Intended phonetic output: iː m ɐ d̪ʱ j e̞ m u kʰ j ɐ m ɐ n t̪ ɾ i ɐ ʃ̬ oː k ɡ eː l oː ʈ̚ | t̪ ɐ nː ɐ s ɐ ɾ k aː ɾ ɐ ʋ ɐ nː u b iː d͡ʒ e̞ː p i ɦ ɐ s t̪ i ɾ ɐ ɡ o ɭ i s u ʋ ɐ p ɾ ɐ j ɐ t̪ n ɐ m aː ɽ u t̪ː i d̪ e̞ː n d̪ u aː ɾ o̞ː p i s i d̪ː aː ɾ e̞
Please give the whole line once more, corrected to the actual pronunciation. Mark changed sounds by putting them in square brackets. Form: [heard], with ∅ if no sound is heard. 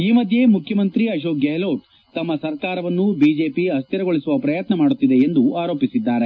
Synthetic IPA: iː m ɐ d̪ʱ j e̞ m u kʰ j ɐ m ɐ n t̪ ɾ i ɐ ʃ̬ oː k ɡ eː l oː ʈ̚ | t̪ ɐ [mː] ɐ s ɐ ɾ k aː ɾ ɐ ʋ ɐ nː u b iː d͡ʒ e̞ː p i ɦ ɐ s t̪ i ɾ ɐ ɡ o ɭ i s u ʋ ɐ p ɾ ɐ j ɐ t̪ n ɐ m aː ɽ u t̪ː i d̪ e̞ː n d̪ u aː ɾ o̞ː p i s i d̪ː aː ɾ e̞